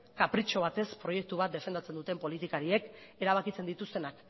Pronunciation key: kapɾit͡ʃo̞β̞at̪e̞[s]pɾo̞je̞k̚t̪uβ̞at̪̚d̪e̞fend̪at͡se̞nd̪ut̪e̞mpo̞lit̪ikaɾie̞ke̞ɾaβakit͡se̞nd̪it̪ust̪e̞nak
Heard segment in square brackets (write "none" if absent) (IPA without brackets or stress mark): s